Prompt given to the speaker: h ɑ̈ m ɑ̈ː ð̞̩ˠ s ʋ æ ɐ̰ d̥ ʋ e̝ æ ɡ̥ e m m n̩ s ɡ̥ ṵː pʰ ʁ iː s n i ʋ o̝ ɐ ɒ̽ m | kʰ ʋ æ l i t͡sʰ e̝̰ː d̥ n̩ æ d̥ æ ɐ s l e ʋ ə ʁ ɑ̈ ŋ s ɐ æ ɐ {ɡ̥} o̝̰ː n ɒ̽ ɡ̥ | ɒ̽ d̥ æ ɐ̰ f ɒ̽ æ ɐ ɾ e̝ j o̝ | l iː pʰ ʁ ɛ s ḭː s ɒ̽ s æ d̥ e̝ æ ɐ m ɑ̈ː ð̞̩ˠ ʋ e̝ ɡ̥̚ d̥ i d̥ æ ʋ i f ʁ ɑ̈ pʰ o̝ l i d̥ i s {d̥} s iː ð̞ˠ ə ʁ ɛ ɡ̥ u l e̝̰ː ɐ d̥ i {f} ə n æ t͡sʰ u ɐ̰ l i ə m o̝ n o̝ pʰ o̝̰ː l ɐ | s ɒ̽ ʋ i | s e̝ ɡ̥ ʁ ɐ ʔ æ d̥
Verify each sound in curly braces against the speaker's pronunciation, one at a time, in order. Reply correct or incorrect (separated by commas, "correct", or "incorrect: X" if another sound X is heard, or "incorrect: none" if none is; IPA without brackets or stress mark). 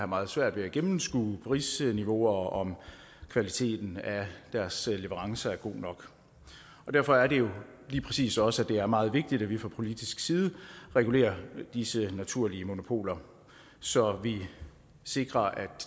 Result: correct, incorrect: ɡ̥, incorrect: s